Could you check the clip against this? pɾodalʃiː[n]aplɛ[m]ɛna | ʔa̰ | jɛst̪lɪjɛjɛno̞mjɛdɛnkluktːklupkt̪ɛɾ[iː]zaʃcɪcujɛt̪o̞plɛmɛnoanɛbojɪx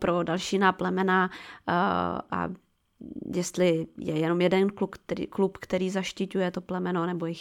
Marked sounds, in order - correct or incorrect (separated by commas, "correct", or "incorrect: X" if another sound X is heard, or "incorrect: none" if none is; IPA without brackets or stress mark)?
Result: correct, correct, correct